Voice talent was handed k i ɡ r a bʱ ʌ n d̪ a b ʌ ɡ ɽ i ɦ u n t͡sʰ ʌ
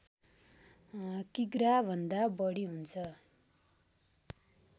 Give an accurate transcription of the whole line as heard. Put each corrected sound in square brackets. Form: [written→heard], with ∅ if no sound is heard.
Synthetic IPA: k i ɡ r a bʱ ʌ n d̪ a b ʌ [ɡ→∅] ɽ i ɦ u n t͡sʰ ʌ